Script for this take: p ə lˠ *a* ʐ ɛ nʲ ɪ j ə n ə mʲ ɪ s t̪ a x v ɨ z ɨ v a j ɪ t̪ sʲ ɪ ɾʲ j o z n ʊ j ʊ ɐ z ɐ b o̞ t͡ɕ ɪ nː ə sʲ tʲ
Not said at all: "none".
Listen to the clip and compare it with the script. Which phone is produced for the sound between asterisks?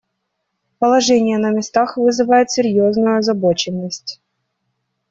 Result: ɐ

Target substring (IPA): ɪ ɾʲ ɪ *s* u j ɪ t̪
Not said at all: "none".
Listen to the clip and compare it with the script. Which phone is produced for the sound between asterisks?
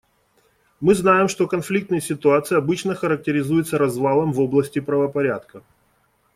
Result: z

